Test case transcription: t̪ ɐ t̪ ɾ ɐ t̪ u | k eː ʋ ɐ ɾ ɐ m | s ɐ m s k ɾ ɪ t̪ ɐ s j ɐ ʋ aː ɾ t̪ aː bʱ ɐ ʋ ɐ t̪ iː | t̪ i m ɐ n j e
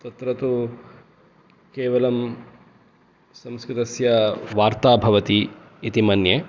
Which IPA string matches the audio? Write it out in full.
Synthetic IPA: t̪ ɐ t̪ ɾ ɐ t̪ u | k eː ʋ ɐ l ɐ m | s ɐ m s k ɾ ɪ t̪ ɐ s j ɐ ʋ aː ɾ t̪ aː bʱ ɐ ʋ ɐ t̪ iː | t̪ i m ɐ n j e